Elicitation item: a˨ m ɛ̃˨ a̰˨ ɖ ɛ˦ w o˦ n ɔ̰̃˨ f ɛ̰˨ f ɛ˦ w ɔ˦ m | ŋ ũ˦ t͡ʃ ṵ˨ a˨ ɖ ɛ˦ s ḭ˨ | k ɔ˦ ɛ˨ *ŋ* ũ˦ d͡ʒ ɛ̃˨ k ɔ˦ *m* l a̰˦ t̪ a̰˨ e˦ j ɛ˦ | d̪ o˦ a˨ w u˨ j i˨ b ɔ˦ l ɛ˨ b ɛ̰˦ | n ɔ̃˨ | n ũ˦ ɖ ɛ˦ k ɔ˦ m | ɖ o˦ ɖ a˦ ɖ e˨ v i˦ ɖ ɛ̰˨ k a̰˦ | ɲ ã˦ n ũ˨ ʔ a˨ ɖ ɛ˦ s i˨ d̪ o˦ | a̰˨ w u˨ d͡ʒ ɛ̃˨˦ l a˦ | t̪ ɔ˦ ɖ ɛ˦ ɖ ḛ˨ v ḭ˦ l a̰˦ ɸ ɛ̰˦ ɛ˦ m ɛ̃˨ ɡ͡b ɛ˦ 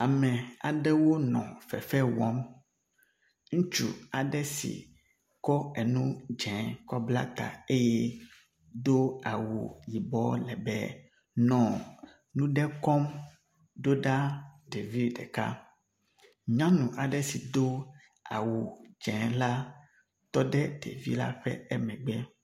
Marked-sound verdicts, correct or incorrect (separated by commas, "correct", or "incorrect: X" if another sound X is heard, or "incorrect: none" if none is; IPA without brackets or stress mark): incorrect: n, incorrect: b